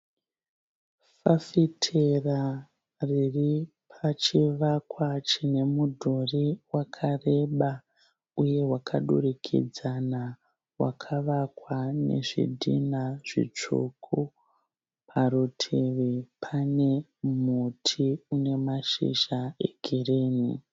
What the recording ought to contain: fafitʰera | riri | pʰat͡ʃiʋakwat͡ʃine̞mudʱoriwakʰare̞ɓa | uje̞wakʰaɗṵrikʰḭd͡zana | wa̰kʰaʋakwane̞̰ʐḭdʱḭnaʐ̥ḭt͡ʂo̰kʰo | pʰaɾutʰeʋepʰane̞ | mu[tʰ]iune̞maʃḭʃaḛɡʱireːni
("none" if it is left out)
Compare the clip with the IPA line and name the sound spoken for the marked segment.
tʰ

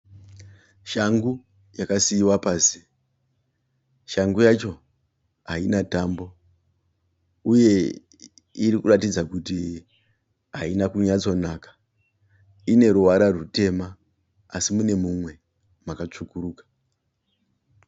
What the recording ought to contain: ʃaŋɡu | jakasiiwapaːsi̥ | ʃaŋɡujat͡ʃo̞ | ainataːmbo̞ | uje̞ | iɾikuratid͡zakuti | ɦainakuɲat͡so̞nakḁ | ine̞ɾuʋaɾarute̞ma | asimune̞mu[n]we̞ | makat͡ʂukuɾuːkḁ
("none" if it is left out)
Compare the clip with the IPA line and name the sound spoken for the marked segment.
m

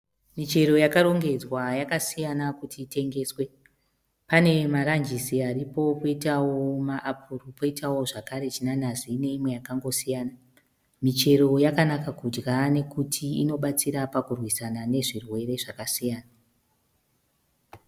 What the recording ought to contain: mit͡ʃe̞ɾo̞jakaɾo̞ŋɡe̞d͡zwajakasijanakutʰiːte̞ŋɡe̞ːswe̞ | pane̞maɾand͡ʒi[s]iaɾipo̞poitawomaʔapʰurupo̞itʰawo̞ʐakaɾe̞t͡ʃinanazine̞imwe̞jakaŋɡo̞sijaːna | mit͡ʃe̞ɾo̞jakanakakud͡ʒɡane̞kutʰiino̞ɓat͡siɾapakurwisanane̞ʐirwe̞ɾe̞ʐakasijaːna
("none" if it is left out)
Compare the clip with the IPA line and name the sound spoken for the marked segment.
s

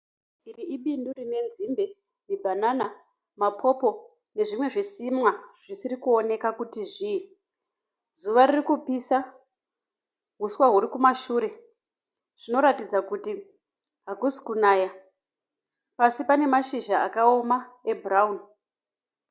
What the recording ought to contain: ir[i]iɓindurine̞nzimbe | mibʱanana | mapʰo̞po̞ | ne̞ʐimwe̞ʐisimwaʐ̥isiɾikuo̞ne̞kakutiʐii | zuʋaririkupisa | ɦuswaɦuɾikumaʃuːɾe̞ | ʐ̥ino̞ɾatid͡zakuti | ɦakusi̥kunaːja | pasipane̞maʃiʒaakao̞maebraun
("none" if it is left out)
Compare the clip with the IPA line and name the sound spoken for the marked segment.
i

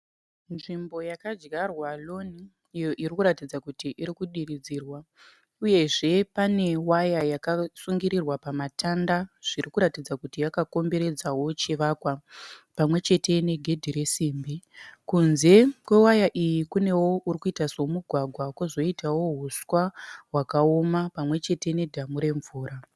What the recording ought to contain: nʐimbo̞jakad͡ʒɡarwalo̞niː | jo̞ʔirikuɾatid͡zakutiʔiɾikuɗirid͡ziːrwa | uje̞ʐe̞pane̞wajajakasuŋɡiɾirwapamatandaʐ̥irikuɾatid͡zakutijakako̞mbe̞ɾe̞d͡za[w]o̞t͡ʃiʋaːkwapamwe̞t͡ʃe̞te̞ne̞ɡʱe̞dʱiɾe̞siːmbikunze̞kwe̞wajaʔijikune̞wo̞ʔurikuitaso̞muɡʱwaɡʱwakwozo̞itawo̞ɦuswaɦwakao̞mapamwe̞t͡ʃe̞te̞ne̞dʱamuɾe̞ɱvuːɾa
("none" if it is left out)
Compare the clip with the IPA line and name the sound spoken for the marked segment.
w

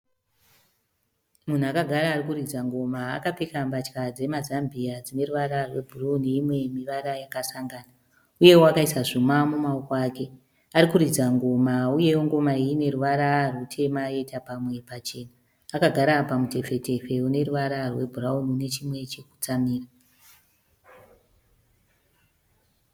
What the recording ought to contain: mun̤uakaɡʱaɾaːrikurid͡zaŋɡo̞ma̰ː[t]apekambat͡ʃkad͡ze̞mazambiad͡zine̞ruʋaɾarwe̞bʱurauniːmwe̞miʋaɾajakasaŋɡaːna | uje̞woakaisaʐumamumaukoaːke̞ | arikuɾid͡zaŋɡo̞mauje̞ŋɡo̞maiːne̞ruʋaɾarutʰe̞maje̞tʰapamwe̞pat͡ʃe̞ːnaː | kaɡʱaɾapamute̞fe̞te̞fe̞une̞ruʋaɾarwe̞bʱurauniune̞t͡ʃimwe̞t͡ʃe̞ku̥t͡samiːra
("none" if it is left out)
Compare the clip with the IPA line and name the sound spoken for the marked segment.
k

